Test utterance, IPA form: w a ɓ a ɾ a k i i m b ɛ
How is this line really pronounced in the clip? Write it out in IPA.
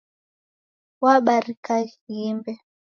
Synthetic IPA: w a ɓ a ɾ i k a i m b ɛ

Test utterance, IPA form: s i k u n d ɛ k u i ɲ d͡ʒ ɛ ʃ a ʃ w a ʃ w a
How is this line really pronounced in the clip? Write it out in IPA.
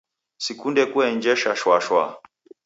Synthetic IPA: s i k u n d ɛ k u ɛ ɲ d͡ʒ ɛ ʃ a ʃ w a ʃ w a

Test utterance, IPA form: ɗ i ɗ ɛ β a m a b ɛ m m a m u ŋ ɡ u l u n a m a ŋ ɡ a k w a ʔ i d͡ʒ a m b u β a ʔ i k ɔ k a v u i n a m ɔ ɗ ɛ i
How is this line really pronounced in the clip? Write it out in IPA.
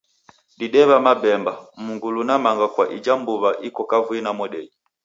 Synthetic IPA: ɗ i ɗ ɛ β a m a b ɛ m b a m u ŋ ɡ u l u n a m a ŋ ɡ a k w a ʔ i d͡ʒ a m b u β a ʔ i k ɔ k a v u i n a m ɔ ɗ ɛ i

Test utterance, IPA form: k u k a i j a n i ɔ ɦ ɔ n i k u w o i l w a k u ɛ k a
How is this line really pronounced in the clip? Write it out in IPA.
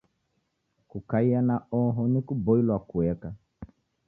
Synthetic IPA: k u k a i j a n a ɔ ɦ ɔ n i k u b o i l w a k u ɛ k a

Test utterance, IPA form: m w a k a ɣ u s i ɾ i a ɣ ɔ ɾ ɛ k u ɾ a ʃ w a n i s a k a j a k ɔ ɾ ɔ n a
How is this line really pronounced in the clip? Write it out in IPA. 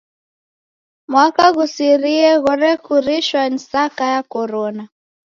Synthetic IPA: m w a k a ɣ u s i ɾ i ɛ ɣ ɔ ɾ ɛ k u ɾ i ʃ w a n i s a k a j a k ɔ ɾ ɔ n a

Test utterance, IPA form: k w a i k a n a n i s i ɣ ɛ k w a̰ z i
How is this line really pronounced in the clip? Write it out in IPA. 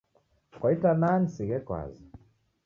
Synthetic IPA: k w a i t a n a n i s i ɣ ɛ k w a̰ z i

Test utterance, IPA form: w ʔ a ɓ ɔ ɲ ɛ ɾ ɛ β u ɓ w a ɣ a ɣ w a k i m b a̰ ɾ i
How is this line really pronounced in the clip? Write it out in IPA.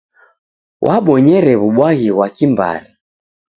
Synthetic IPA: w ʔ a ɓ ɔ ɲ ɛ ɾ ɛ β u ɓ w a ɣ i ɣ w a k i m b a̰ ɾ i

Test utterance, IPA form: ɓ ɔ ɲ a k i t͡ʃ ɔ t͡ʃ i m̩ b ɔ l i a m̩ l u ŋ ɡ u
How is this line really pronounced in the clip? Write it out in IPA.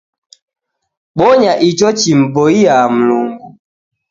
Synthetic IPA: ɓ ɔ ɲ a ʔ i t͡ʃ ɔ t͡ʃ i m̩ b ɔ i a m̩ l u ŋ ɡ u

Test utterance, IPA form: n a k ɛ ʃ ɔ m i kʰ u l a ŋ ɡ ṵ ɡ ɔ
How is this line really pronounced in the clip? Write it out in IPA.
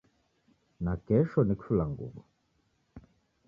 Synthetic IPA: n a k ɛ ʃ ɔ n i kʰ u l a ŋ ɡ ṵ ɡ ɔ

